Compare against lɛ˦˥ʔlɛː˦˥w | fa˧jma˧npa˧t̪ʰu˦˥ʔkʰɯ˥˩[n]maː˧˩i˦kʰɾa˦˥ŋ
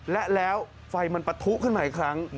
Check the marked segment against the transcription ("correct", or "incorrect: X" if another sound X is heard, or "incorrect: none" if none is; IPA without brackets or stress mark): correct